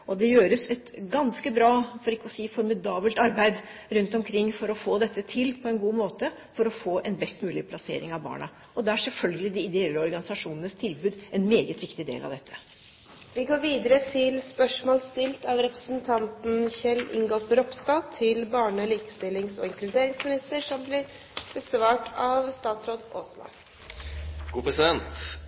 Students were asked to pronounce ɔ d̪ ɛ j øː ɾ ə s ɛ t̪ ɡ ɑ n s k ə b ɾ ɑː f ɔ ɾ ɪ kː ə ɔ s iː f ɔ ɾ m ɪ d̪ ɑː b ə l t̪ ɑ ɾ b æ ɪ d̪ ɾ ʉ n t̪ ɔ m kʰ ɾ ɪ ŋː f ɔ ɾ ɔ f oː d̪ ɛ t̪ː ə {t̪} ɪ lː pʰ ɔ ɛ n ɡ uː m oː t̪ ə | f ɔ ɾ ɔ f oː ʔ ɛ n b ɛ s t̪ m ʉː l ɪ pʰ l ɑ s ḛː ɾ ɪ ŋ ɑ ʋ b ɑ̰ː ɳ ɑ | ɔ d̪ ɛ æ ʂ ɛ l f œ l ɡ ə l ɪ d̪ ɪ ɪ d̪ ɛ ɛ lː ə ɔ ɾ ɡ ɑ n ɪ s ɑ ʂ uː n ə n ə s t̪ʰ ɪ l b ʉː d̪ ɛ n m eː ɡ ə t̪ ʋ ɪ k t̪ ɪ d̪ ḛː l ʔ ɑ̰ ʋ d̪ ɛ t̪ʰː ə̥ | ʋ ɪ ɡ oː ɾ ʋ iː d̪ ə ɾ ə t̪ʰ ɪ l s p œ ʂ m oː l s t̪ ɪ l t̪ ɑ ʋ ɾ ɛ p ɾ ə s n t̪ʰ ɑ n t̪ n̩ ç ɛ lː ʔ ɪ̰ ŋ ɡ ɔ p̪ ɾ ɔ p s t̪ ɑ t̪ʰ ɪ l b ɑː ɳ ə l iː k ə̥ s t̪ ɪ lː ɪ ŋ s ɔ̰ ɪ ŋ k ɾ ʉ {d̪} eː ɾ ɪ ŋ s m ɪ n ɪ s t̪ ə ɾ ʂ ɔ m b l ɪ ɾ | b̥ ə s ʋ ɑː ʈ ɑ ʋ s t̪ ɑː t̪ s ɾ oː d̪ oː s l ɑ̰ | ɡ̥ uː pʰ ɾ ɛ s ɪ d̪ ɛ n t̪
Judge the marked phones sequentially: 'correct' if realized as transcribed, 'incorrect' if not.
incorrect: t̪ʰ, correct

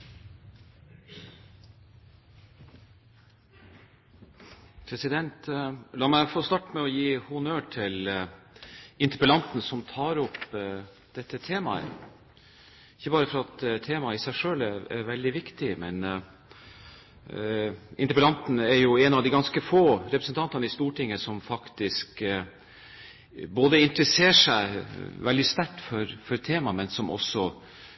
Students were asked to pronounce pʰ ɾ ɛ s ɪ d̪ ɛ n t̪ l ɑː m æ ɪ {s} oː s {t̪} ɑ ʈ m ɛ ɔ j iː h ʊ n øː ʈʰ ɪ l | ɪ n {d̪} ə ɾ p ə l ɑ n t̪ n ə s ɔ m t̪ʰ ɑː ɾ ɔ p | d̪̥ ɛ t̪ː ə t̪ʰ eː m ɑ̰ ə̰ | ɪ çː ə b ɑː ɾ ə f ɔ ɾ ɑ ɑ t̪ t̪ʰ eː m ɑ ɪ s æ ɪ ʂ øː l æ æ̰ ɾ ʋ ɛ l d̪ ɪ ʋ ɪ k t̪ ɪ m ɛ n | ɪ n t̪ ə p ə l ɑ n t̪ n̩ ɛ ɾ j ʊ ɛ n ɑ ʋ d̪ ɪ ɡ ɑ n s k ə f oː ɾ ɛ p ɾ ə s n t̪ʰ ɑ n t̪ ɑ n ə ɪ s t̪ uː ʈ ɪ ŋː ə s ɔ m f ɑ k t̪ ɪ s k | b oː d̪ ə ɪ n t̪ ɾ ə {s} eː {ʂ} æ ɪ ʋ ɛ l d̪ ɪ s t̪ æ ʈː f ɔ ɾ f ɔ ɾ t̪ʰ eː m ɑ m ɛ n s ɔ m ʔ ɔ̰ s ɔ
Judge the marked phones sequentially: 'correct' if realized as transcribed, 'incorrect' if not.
incorrect: f, correct, incorrect: t̪, correct, correct

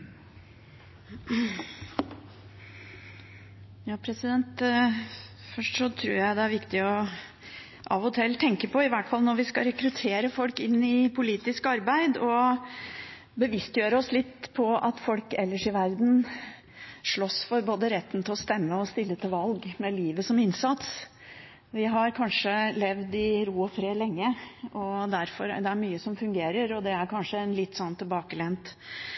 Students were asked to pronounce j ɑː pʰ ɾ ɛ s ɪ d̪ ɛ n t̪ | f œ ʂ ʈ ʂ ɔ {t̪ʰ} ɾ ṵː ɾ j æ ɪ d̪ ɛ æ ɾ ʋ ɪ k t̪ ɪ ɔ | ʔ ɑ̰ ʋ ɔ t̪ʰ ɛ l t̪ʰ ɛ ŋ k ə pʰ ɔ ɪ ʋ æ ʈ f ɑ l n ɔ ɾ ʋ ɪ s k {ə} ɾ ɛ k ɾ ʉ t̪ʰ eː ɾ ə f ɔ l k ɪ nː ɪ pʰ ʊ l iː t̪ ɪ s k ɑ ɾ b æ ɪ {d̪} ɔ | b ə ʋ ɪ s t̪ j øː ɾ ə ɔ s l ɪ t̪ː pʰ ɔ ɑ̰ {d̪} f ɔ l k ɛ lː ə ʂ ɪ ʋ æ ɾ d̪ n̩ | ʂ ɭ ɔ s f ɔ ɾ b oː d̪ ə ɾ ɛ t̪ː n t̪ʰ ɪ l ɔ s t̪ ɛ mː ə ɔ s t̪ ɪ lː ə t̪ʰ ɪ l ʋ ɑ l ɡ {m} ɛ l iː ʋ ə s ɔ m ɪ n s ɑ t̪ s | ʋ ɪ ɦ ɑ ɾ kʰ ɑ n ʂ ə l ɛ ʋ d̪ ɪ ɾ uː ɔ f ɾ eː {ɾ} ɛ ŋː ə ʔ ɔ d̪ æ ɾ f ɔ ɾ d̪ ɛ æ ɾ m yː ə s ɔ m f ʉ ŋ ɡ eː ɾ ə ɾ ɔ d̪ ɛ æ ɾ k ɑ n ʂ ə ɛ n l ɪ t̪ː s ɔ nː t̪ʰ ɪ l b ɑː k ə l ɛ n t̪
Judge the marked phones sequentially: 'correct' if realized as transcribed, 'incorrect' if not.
correct, incorrect: ɑ, correct, incorrect: t̪, correct, incorrect: l

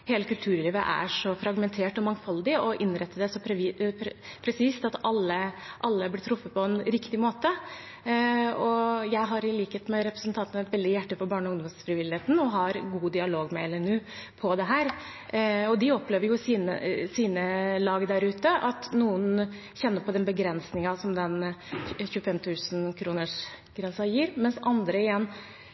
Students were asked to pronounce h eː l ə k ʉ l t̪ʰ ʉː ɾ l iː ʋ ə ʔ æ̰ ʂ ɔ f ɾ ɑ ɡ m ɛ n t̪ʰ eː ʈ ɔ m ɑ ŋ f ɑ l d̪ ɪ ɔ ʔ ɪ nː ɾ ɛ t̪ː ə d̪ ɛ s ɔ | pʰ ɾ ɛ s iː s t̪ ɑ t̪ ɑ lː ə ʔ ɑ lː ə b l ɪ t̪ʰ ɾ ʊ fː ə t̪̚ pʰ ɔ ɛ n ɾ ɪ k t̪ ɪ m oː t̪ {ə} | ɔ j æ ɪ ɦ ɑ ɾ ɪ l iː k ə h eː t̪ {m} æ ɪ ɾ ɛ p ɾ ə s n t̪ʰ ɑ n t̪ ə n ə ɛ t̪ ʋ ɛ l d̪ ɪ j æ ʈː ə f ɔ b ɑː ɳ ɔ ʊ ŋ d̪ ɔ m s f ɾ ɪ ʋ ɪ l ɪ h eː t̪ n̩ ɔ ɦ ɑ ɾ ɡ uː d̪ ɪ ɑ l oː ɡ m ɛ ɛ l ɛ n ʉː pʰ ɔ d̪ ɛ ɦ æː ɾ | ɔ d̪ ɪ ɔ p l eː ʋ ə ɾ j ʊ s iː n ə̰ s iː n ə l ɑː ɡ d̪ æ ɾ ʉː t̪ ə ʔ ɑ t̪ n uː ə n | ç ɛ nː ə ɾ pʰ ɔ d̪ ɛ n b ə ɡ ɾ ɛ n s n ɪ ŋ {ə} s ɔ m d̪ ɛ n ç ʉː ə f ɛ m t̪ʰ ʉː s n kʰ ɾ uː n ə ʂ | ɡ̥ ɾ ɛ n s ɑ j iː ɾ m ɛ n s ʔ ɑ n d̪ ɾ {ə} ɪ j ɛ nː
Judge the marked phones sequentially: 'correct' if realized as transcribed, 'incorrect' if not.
correct, correct, incorrect: ɑ, correct

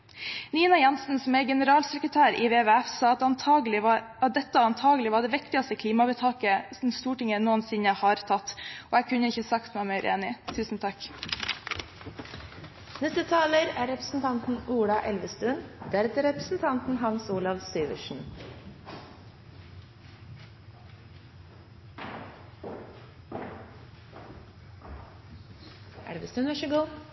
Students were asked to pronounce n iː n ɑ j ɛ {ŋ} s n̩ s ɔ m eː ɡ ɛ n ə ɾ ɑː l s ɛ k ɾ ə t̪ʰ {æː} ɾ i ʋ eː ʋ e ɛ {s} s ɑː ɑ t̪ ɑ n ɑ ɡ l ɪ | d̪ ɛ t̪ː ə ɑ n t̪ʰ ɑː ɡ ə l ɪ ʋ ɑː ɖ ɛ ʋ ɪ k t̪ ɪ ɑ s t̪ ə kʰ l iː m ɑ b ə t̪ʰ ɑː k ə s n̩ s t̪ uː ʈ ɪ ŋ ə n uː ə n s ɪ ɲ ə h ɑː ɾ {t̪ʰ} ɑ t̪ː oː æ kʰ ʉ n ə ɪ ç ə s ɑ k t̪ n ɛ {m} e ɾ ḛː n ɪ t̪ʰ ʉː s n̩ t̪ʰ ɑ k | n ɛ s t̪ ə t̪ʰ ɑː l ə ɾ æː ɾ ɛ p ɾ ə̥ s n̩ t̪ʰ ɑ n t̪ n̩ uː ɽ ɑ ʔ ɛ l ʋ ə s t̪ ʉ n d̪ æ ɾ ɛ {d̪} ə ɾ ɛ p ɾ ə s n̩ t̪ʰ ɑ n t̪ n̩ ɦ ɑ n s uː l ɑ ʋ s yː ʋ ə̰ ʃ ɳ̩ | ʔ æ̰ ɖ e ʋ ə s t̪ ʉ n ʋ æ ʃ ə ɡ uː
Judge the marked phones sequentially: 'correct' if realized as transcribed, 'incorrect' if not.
incorrect: n, correct, incorrect: f, correct, correct, incorrect: t̪

